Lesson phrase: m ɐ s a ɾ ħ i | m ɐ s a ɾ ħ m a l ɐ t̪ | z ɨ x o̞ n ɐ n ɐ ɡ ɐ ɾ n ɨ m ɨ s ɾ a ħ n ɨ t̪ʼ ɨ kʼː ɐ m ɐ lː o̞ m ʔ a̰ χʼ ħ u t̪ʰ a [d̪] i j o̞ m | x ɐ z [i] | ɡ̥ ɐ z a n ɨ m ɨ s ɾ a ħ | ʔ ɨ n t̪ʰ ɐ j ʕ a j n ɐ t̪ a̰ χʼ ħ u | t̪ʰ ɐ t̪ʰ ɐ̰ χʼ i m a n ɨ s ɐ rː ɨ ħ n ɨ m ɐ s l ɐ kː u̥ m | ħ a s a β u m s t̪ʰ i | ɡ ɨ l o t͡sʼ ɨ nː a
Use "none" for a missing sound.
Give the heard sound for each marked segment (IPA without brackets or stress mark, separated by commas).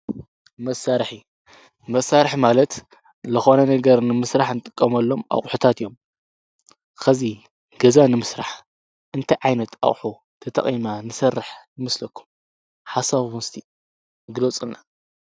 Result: t̪, i